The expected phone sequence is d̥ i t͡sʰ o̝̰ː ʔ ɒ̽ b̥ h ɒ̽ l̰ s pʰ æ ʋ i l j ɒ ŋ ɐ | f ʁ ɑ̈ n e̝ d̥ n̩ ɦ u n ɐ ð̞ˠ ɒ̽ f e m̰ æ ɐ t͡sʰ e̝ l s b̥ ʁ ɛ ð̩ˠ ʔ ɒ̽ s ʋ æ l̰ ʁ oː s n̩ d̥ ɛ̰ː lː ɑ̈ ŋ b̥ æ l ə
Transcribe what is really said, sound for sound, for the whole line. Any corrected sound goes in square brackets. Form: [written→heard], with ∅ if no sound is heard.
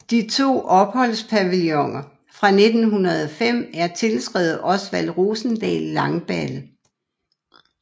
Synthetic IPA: d̥ i t͡sʰ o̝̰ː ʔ ɒ̽ b̥ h ɒ̽ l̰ s pʰ æ ʋ i l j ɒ ŋ ɐ | f ʁ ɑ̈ n e̝ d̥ n̩ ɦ u n ɐ ð̞ˠ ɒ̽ f e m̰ æ ɐ t͡sʰ e̝ l s [b̥→ɡ̥] ʁ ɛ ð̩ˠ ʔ ɒ̽ s ʋ æ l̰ ʁ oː s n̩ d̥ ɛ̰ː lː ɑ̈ ŋ b̥ æ l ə